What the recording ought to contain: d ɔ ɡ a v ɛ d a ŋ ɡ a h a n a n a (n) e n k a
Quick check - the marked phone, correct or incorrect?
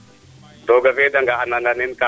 correct